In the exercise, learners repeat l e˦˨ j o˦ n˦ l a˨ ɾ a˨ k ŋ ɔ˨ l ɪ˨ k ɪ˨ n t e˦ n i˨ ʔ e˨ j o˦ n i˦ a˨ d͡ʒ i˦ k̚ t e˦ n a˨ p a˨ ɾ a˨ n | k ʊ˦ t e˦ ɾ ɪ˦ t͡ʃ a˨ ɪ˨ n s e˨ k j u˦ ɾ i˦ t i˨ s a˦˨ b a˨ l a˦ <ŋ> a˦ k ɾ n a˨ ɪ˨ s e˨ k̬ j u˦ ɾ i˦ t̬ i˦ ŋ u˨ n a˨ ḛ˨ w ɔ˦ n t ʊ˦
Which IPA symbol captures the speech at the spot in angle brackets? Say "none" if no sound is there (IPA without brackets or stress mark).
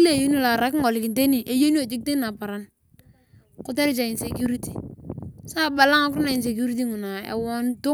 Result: ŋ